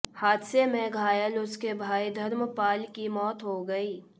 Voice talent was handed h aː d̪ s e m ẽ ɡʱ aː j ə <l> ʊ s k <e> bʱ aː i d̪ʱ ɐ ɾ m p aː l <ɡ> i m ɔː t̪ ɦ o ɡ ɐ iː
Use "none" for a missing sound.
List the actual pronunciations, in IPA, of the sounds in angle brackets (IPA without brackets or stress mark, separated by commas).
l, e, k